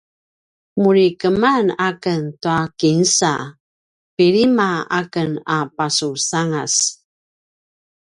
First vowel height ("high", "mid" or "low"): high